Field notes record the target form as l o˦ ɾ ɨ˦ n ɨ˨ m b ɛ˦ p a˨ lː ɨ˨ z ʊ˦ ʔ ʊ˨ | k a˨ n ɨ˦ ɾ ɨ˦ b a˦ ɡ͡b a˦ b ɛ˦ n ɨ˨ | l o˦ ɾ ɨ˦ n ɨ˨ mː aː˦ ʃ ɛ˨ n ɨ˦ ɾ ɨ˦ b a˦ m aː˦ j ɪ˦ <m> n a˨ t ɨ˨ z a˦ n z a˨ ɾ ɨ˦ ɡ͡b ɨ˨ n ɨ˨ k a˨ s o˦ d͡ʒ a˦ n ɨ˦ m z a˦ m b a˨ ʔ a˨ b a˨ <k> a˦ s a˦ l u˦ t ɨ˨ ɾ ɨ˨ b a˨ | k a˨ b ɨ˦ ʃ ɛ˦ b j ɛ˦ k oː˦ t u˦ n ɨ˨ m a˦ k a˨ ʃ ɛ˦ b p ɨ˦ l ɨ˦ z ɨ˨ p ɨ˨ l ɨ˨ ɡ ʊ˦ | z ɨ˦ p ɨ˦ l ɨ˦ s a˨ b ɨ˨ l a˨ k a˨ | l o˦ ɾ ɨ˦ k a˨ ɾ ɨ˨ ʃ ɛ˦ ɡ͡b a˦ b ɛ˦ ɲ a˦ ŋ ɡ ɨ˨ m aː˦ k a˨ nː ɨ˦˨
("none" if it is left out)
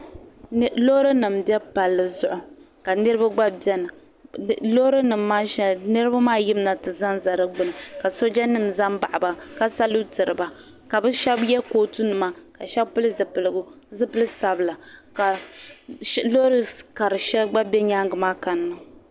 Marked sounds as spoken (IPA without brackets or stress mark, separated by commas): m, k